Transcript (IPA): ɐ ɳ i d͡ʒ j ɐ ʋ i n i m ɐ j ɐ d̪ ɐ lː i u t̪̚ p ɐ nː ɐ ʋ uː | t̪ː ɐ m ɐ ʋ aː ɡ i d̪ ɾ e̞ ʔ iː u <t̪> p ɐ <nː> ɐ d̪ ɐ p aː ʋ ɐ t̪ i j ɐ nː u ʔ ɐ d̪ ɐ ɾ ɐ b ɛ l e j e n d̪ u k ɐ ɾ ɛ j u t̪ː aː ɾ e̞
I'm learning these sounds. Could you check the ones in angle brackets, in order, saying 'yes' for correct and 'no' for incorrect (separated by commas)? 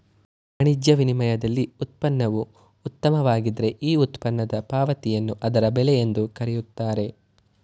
yes, yes